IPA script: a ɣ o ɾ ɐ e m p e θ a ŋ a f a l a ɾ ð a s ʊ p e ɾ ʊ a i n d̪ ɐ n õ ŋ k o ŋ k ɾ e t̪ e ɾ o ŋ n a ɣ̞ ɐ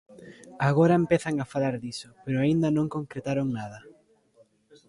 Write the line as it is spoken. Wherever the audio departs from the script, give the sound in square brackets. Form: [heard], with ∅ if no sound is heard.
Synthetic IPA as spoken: a ɣ o ɾ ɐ e m p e θ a ŋ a f a l a ɾ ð [i] s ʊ p e ɾ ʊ a i n d̪ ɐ n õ ŋ k o ŋ k ɾ e t̪ [a] ɾ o ŋ n a [ð̞] ɐ